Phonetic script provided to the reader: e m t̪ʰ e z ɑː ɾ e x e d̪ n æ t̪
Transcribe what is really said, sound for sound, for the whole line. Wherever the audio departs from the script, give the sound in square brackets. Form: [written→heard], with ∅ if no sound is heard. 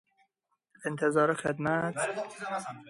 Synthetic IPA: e [m→n] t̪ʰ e z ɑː ɾ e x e d̪ [n→m] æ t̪